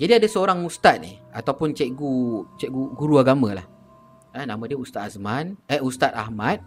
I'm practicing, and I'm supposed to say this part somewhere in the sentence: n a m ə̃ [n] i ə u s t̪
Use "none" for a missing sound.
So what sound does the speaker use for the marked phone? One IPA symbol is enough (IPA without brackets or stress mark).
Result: d